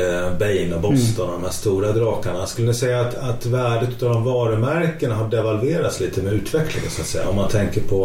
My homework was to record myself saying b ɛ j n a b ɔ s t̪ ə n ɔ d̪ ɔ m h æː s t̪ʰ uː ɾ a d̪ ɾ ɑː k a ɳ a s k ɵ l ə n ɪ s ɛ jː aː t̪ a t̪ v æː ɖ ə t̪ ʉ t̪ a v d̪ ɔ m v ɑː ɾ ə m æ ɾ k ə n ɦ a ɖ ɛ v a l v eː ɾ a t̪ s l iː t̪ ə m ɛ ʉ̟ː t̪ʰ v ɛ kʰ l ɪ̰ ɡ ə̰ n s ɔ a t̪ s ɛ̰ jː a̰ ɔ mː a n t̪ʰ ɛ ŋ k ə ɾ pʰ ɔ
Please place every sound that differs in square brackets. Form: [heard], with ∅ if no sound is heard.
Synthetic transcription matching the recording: b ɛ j n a b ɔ s t̪ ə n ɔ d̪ ɔ m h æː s [t̪] uː ɾ a d̪ ɾ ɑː k a ɳ a s k ɵ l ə n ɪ s ɛ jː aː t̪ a t̪ v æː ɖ ə t̪ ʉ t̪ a v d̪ ɔ m v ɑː ɾ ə m æ ɾ k ə n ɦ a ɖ ɛ v a l v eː ɾ a t̪ s l iː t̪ ə m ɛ ʉ̟ː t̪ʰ v ɛ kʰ l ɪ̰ [ŋ] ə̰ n s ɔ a t̪ s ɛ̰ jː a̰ ɔ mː a n t̪ʰ ɛ ŋ k ə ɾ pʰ ɔ